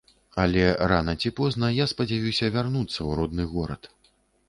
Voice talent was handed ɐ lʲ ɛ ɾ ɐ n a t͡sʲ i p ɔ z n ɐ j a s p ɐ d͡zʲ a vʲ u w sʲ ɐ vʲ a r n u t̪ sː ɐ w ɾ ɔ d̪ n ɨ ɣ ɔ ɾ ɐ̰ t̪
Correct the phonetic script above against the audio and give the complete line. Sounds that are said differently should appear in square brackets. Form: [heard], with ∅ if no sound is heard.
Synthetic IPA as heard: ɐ lʲ ɛ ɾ [a] n [ɐ] t͡sʲ i p ɔ z n ɐ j a s p ɐ d͡zʲ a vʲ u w sʲ ɐ vʲ a r n u t̪ sː ɐ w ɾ ɔ d̪ n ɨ ɣ ɔ ɾ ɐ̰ t̪